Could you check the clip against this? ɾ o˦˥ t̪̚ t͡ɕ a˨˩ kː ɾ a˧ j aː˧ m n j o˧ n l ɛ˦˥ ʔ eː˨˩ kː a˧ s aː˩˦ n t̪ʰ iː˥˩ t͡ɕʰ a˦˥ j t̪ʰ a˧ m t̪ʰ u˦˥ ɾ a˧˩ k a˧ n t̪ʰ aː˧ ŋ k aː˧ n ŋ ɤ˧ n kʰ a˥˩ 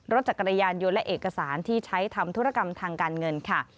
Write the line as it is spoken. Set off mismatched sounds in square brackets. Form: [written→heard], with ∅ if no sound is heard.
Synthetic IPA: ɾ o˦˥ t̪̚ t͡ɕ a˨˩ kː ɾ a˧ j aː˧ [m→∅] n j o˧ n l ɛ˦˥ ʔ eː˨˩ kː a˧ s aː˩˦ n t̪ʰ iː˥˩ t͡ɕʰ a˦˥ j t̪ʰ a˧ m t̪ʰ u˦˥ ɾ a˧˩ k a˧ [n→m] t̪ʰ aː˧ ŋ k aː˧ n ŋ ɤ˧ n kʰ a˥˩